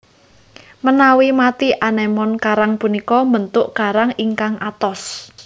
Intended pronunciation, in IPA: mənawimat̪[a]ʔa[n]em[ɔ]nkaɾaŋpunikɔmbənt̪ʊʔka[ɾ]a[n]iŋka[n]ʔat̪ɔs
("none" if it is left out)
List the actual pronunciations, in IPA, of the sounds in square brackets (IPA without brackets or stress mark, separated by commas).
i, n, ɔ, ɾ, ŋ, ŋ